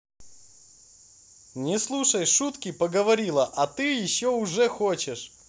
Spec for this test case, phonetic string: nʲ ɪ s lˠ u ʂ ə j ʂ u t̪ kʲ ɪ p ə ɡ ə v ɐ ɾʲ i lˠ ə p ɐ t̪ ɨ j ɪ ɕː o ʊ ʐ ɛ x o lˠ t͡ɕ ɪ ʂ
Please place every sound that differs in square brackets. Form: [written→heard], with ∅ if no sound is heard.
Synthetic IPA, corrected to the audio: nʲ ɪ s lˠ u ʂ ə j ʂ u t̪ kʲ ɪ p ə ɡ ə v ɐ ɾʲ i lˠ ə [p→ʔ] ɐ t̪ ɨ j ɪ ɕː o ʊ ʐ ɛ x o [lˠ→∅] t͡ɕ ɪ ʂ